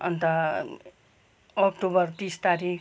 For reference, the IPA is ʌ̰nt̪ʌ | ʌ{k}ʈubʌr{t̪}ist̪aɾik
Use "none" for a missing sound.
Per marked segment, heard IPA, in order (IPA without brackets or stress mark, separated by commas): k, t̪